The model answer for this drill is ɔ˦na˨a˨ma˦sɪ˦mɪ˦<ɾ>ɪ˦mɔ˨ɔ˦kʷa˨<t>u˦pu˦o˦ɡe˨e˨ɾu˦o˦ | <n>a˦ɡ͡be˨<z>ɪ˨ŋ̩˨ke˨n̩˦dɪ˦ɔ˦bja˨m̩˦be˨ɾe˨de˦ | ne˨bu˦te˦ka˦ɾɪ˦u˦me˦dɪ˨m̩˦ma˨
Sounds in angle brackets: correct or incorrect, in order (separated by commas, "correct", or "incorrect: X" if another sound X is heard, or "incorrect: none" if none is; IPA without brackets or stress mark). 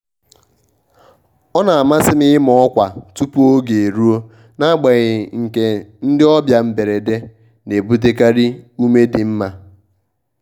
incorrect: none, correct, correct, incorrect: ɣ